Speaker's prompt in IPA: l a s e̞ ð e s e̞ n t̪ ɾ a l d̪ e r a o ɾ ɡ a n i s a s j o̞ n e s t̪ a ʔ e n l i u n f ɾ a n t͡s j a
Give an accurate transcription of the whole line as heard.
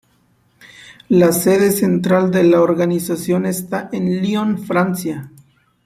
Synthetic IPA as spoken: l a s e̞ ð e s e̞ n t̪ ɾ a l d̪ e l a o ɾ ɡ a n i s a s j o̞ n e s t̪ a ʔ e n l i o n f ɾ a n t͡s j a